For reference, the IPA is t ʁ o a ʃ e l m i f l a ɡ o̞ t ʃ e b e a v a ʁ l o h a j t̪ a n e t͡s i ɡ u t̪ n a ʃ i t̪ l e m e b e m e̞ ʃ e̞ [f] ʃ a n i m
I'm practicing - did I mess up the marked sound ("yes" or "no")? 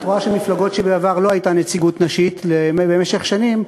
yes